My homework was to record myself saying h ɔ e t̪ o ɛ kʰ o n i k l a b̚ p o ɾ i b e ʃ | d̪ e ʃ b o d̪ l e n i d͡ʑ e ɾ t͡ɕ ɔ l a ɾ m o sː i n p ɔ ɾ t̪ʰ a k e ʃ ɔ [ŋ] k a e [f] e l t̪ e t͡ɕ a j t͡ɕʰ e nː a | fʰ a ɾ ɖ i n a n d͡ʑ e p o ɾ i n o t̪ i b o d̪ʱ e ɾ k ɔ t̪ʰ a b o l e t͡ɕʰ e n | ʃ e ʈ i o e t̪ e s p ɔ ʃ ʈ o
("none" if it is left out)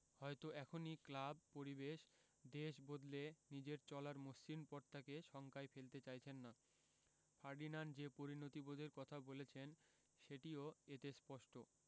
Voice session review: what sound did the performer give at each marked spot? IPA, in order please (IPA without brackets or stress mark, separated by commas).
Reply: ŋ, f